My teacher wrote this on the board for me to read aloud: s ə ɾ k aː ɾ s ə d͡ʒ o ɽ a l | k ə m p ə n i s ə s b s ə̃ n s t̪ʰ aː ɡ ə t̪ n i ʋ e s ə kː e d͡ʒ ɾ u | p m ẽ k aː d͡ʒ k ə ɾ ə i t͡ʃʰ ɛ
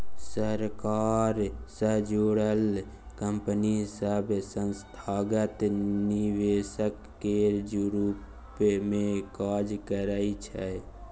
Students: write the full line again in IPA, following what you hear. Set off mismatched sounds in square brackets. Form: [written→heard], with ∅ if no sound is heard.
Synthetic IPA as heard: s ə ɾ k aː ɾ s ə d͡ʒ o ɽ [a→ə] l | k ə m p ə n i s ə [s→∅] b s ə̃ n s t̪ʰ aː ɡ ə t̪ n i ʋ e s ə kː e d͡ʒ ɾ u | p m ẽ k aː d͡ʒ k ə ɾ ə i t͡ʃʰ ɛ